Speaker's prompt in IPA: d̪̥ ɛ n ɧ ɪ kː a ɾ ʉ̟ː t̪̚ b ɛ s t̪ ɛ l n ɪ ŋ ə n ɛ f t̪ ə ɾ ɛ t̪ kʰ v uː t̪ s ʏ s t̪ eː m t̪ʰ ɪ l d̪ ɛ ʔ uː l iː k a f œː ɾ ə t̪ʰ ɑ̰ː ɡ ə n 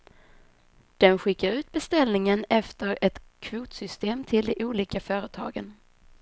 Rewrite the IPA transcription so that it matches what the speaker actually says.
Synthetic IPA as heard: d̪̥ ɛ n ɧ ɪ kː a ɾ ʉ̟ː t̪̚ b ɛ s t̪ ɛ l n ɪ ŋ ə n ɛ f t̪ ə ɾ ɛ t̪ kʰ v uː t̪ s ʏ s t̪ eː m t̪ʰ ɪ l d̪ ɛ ʔ uː l iː k a f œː ɾ ə t̪ʰ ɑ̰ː ɡ ə n